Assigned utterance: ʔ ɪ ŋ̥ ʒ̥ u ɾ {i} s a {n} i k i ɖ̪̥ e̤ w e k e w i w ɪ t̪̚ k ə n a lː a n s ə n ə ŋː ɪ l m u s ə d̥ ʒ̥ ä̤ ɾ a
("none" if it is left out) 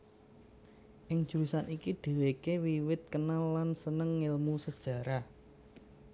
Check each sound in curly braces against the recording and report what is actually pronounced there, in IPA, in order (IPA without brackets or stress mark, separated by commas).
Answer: i, n